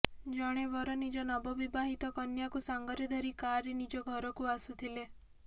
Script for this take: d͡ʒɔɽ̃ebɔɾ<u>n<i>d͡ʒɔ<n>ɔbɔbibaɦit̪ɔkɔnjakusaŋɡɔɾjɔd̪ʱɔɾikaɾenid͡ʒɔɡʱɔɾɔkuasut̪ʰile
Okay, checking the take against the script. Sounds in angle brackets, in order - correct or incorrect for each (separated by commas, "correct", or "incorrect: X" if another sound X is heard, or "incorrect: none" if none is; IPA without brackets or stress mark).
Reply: incorrect: ɔ, correct, correct